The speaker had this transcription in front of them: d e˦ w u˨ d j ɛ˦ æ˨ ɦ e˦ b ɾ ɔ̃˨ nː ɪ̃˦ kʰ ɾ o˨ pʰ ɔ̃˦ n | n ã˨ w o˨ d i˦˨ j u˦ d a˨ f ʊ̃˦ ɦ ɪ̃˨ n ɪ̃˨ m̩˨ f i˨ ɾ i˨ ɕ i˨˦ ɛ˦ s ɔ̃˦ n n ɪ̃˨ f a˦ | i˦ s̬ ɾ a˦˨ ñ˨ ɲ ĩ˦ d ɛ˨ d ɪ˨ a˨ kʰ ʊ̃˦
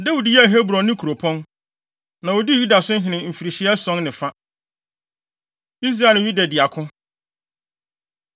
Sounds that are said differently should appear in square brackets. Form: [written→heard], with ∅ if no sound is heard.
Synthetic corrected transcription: d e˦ w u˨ d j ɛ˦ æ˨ ɦ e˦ b ɾ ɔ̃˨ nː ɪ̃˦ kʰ ɾ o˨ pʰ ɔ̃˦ n | n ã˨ w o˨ d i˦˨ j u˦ d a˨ [f→s] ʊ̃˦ ɦ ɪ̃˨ n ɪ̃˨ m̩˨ f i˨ ɾ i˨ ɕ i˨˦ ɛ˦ s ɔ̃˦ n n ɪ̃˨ f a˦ | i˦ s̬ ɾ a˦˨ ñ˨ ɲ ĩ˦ d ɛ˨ d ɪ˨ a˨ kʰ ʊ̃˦